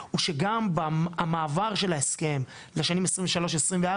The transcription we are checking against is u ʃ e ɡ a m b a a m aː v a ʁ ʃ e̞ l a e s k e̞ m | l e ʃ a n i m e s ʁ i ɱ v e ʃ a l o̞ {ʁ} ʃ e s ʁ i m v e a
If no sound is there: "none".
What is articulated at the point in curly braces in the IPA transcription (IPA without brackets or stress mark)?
none